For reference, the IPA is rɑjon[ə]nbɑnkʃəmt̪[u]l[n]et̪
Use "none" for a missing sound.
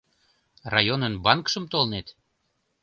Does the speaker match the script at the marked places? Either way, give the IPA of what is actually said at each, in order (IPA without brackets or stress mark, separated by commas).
ə, o, n